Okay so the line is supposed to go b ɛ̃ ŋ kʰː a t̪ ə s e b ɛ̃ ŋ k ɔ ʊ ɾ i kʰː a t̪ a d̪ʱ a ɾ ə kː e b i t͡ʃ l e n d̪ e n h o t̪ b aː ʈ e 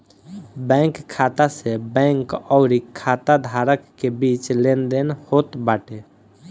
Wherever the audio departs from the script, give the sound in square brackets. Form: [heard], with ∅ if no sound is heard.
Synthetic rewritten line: b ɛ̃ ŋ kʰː a t̪ [a] s e b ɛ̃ ŋ k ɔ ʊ ɾ i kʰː a t̪ a d̪ʱ a ɾ ə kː e b i t͡ʃ l e n d̪ e n h o t̪ b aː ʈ e